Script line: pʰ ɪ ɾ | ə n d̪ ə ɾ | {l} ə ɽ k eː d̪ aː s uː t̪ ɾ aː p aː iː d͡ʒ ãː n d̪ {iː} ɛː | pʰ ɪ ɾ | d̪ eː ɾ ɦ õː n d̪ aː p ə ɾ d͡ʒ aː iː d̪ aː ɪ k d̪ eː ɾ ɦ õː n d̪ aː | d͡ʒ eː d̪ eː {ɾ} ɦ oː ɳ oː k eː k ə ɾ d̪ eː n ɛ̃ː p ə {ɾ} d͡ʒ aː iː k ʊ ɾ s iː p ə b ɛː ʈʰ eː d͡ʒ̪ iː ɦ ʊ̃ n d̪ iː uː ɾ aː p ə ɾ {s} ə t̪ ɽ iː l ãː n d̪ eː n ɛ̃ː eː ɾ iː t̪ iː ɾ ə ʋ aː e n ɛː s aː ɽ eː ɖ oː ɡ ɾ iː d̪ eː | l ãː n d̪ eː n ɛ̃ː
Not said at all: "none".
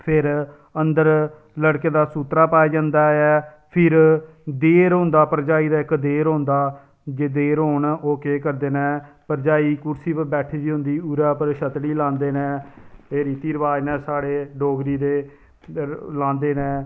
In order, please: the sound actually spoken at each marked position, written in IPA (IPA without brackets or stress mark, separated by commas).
l, aː, ɾ, ɾ, ʃ